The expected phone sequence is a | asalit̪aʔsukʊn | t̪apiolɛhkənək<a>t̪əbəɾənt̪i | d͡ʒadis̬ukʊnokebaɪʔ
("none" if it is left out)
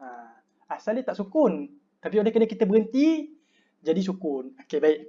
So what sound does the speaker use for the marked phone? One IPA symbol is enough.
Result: i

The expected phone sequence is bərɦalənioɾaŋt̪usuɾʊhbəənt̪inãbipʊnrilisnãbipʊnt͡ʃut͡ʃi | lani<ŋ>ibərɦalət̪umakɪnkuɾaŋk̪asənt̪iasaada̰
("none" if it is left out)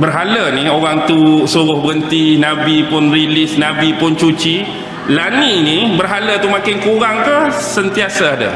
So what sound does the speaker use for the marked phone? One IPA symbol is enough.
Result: n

